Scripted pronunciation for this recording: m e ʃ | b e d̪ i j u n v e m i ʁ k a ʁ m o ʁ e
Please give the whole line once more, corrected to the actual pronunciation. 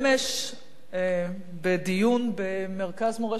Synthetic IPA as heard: m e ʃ | b e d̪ i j u n b e m e ʁ k a z m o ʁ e

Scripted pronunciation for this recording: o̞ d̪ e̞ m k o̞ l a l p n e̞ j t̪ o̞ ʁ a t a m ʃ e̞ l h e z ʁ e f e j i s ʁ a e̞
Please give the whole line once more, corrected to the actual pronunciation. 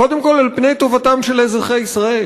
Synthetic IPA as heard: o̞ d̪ e̞ m k o̞ l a l p n e̞ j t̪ o̞ v a t a m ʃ e̞ l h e z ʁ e χ e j i s ʁ a e̞

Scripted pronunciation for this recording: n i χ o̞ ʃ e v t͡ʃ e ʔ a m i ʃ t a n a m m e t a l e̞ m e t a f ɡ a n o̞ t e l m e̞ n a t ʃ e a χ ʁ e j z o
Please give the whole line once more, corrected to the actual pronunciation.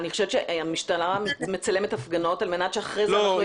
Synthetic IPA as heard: n i χ o̞ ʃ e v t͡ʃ e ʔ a m i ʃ t a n a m m e t͡s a l e̞ m e t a f ɡ a n o̞ t a l m e̞ n a t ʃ e a χ ʁ e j z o

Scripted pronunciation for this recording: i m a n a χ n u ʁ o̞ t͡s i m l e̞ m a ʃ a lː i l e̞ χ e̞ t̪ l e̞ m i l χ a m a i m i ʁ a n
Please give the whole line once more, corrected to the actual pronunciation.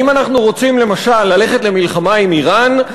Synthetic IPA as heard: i m a n a χ n u ʁ o̞ t͡s i m l e̞ m a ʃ a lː a l e̞ χ e̞ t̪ l e̞ m i l χ a m a i m i ʁ a n

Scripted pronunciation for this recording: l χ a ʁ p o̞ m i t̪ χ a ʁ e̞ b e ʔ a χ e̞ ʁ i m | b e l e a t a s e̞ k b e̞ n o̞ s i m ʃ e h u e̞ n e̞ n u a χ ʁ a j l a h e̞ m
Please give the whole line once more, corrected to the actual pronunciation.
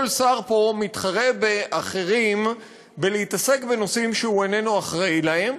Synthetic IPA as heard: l s a ʁ p o̞ m i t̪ χ a ʁ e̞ b e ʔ a χ e̞ ʁ i m | b e l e i t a s e̞ k b e̞ n o̞ s i m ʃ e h u e̞ n e̞ n u a χ ʁ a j l a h e̞ m

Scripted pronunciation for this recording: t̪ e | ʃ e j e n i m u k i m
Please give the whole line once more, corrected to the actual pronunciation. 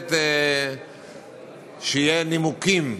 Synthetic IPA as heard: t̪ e | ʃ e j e n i m u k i m

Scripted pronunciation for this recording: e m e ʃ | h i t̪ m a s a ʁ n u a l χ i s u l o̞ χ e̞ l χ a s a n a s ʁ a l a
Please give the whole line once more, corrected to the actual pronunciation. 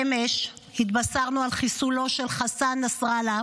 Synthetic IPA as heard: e m e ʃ | h i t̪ b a s a ʁ n u a l χ i s u l o̞ ʃ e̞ l χ a s a n a s ʁ a l a

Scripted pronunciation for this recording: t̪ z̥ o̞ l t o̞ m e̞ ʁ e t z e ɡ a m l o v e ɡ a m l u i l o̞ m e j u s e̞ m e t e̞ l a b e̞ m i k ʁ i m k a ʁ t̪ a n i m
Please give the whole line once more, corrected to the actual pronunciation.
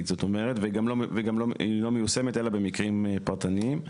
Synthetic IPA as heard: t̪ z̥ o̞ t o̞ m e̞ ʁ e t v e ɡ a m l o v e ɡ a m l o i l o̞ m e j u s e̞ m e t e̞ l a b e̞ m i k ʁ i m p a ʁ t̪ a n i m

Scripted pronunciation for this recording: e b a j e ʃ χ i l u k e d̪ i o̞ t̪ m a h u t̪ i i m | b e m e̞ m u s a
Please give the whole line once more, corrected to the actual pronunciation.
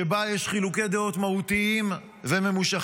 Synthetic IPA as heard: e b a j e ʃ χ i l u k e d̪ e o̞ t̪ m a h u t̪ i i m | v e m e̞ m u ʃ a

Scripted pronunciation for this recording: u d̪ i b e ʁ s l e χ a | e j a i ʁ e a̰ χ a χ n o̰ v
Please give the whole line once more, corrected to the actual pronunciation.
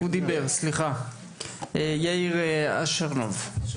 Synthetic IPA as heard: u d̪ i b e ʁ s l i χ a | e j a i ʁ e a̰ ʃ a ʁ n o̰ v

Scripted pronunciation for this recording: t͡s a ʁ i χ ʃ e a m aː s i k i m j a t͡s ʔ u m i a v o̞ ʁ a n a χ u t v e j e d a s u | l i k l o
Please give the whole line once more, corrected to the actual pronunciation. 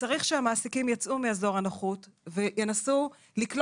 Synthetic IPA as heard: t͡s a ʁ i χ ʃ e a m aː s i k i m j a t͡s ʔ u m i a z o̞ ʁ a n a χ u t v e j e n a s u | l i k l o

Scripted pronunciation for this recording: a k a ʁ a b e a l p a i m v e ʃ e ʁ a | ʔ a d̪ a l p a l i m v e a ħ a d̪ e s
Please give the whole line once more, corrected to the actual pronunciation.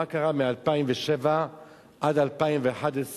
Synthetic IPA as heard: a k a ʁ a m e a l p a i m v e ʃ e v a | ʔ a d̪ a l p a i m v e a ħ a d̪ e s

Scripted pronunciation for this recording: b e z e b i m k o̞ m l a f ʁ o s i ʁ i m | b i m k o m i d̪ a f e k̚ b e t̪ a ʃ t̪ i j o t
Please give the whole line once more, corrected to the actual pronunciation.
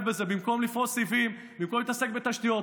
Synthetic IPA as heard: b e z e b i m k o̞ m l i f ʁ o s i v i m | b i m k o m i t̪ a s e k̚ b e t̪ a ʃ t̪ i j o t

